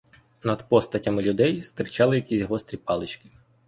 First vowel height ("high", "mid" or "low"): low